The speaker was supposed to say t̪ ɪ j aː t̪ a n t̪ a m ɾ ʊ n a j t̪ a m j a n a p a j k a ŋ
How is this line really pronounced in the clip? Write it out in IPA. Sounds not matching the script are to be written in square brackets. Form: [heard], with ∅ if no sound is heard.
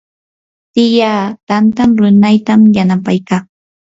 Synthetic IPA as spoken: t̪ ɪ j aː t̪ a n t̪ a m ɾ ʊ n a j t̪ a m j a n a p a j k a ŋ